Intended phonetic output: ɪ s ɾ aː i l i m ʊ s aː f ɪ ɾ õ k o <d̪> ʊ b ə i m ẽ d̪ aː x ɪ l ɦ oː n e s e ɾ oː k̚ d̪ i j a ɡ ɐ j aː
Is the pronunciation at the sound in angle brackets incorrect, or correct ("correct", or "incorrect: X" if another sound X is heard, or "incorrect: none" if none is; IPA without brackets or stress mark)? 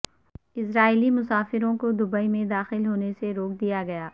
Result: correct